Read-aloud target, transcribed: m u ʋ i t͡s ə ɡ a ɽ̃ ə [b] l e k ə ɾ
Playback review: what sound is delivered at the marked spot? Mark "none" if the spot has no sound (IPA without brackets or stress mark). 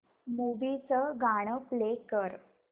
p